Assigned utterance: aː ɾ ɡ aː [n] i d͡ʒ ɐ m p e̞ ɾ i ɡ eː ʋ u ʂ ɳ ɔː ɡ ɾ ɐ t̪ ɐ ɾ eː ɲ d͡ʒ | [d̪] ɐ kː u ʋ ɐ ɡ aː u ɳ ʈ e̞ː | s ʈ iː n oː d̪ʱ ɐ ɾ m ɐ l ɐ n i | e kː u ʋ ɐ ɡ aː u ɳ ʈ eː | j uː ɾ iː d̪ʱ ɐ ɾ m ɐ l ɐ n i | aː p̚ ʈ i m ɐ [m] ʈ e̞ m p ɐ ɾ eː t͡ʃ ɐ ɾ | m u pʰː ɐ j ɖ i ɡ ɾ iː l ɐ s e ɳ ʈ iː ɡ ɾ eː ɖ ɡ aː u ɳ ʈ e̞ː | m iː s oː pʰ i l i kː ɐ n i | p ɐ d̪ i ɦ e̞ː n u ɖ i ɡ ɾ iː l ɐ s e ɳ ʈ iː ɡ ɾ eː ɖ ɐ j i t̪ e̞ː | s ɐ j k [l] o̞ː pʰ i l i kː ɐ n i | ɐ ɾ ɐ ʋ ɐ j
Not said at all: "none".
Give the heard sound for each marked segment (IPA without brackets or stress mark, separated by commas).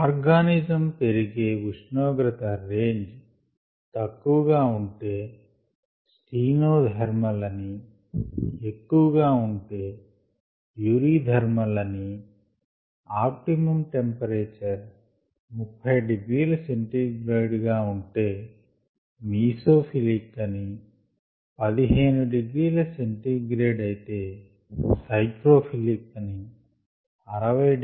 n, t̪, m, ɾ